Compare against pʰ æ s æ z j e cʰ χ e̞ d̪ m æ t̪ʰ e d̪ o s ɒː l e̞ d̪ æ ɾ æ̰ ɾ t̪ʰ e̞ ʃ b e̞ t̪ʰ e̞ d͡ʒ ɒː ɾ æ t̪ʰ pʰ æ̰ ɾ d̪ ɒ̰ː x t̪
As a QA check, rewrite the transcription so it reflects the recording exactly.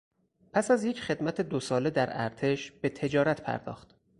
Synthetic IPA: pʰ æ s æ z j e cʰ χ e̞ d̪ m æ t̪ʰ e d̪ o s ɒː l e̞ d̪ æ ɾ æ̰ ɾ t̪ʰ e̞ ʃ b e̞ t̪ʰ e̞ d͡ʒ ɒː ɾ æ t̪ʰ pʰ æ̰ ɾ d̪ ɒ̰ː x t̪